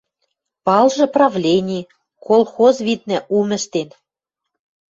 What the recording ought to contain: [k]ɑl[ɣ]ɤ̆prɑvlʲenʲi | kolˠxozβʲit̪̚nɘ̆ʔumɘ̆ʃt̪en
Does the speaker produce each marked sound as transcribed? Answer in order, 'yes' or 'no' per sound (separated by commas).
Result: no, no